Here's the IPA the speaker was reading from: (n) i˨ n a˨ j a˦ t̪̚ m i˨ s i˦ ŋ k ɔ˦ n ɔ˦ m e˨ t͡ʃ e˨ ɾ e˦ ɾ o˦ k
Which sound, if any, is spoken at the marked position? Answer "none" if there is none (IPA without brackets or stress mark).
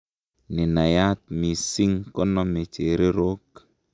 n